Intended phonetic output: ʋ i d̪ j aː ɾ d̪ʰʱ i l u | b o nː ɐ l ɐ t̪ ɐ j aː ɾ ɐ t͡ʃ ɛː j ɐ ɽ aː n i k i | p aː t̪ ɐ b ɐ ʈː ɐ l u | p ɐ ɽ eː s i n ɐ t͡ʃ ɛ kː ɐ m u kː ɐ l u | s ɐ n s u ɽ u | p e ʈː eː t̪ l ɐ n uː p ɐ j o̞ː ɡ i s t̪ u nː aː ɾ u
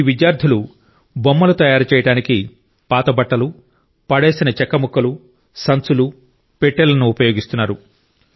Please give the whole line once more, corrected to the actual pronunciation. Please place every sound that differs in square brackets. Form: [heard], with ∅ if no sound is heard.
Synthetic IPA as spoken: ʋ i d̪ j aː ɾ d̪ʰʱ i l u | b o [mː] ɐ l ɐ t̪ ɐ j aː ɾ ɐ t͡ʃ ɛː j ɐ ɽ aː n i k i | p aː t̪ ɐ b ɐ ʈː ɐ l u | p ɐ ɽ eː s i n ɐ t͡ʃ ɛ kː ɐ m u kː ɐ l u | s ɐ n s u [l] u | p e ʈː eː [∅] l ɐ n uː p ɐ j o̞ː ɡ i s t̪ u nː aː ɾ u